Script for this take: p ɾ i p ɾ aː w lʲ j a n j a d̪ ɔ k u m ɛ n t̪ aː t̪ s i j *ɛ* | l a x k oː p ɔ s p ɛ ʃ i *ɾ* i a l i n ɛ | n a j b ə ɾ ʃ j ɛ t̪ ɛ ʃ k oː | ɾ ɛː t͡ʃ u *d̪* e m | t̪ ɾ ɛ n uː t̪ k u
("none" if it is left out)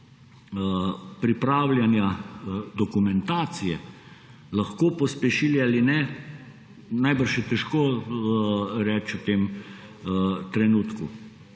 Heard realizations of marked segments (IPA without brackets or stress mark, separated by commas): ɛ, l, t̪